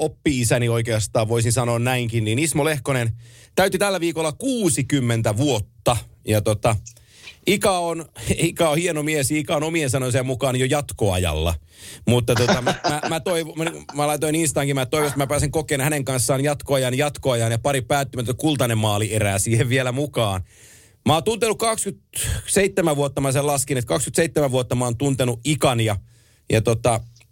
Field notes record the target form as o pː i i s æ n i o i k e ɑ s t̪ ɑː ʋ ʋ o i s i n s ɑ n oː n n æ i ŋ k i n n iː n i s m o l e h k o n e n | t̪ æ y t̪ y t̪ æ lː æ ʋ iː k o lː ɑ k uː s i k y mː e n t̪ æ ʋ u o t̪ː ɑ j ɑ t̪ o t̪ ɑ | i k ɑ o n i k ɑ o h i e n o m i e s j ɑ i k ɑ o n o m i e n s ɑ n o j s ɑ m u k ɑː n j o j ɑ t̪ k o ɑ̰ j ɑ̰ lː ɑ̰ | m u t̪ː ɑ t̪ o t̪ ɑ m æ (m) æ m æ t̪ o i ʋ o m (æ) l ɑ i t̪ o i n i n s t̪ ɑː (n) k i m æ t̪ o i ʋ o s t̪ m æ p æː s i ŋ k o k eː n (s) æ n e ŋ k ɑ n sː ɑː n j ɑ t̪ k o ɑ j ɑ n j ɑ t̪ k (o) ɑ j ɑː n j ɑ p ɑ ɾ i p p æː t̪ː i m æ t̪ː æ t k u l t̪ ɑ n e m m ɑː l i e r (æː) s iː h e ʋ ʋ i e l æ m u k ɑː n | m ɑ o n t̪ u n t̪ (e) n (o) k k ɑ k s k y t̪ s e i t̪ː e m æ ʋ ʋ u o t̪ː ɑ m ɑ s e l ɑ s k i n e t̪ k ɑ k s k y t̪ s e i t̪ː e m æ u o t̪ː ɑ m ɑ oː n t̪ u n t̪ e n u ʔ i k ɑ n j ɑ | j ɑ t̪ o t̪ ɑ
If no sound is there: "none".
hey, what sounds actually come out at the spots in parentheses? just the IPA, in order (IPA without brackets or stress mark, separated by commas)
m, æ, ŋ, h, o, æː, e, u